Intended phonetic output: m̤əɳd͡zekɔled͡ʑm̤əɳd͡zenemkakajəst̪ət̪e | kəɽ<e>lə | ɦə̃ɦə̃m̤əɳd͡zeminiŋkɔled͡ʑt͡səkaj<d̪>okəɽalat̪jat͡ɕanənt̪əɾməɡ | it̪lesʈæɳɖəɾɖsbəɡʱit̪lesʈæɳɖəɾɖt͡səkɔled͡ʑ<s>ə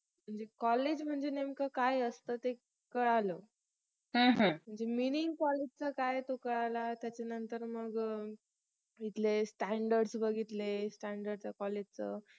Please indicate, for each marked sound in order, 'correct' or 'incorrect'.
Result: incorrect, incorrect, incorrect

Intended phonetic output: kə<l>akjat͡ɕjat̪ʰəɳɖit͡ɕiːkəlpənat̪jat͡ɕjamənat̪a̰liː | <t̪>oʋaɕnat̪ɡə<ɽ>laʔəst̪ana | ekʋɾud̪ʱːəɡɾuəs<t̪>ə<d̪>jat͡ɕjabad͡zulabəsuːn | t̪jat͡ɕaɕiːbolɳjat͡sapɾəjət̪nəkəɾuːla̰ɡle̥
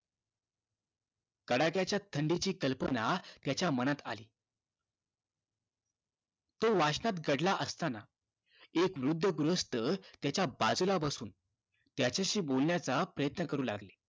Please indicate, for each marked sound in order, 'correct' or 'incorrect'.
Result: incorrect, correct, correct, correct, incorrect

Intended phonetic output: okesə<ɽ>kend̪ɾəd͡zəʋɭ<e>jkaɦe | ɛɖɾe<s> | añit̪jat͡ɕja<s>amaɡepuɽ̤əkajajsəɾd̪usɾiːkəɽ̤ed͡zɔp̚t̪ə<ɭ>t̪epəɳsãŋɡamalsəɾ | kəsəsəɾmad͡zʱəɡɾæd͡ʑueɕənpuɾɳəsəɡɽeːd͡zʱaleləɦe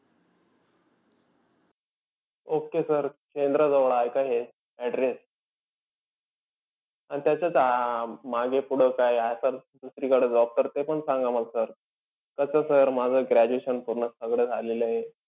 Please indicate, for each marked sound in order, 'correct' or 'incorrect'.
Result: incorrect, incorrect, correct, incorrect, incorrect

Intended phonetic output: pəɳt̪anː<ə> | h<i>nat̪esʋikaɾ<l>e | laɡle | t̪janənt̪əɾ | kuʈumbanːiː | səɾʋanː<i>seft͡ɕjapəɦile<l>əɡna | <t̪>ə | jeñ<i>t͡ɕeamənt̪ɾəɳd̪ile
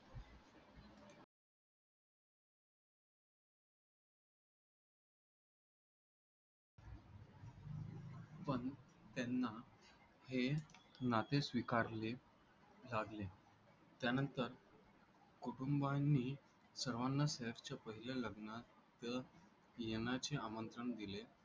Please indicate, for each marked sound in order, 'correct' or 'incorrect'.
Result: incorrect, incorrect, correct, incorrect, correct, correct, incorrect

